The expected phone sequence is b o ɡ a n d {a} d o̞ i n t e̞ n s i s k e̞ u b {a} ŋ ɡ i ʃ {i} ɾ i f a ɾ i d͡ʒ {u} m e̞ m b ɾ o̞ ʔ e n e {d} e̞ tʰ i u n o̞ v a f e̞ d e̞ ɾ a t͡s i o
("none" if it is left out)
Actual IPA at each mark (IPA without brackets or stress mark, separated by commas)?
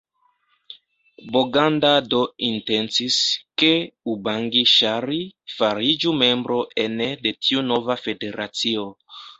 a, a, a, u, d